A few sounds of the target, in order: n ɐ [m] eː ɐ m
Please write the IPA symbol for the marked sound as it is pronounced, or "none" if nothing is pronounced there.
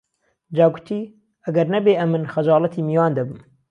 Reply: b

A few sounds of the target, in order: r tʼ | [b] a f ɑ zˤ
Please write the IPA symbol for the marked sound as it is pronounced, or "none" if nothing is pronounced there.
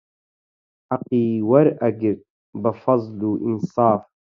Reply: b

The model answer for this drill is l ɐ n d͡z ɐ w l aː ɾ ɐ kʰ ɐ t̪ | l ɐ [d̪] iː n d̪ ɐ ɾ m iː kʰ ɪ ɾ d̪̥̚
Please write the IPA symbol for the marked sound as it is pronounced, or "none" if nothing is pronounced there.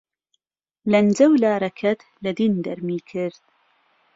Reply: d̪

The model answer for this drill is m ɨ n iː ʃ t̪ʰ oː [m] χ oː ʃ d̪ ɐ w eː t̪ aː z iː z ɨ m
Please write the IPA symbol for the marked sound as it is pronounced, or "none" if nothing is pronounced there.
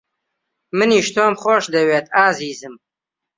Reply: m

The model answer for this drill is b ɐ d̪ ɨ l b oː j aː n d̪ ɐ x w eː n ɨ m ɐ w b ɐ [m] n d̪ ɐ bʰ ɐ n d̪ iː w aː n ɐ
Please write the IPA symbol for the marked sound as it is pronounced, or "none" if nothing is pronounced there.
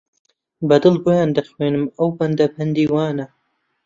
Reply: none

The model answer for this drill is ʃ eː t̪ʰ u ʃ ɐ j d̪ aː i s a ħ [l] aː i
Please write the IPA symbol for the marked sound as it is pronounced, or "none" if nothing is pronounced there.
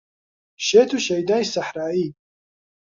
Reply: ɾ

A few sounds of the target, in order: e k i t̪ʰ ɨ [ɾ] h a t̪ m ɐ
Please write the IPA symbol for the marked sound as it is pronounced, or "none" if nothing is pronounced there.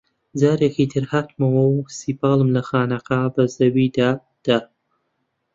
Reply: ɾ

